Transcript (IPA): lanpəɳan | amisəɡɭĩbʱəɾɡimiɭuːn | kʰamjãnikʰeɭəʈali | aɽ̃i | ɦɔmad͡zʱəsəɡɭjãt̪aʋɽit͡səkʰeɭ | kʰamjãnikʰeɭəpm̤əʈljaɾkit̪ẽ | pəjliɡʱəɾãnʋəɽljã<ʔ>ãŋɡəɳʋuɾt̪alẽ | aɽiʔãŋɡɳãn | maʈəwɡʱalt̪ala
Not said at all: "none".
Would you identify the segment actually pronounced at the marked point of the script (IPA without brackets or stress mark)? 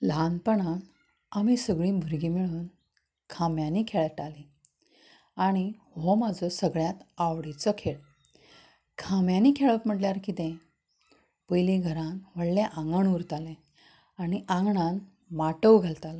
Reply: ʔ